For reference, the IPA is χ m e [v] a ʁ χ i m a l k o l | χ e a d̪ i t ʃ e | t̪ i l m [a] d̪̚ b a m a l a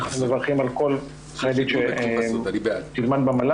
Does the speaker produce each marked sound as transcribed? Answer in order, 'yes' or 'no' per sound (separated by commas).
yes, yes